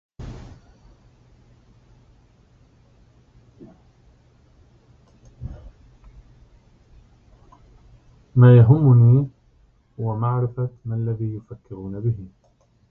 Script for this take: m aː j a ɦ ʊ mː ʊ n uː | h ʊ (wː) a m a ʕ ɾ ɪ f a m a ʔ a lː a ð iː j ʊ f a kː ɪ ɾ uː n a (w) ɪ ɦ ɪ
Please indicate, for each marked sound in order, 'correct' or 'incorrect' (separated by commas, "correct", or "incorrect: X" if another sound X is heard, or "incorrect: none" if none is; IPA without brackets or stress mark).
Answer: incorrect: w, incorrect: b